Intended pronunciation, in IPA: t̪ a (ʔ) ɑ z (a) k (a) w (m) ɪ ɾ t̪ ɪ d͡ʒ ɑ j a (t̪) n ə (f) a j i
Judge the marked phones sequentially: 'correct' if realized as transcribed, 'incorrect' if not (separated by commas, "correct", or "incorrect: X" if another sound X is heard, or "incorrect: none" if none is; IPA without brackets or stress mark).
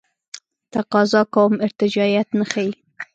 incorrect: q, incorrect: ɑ, correct, correct, correct, incorrect: x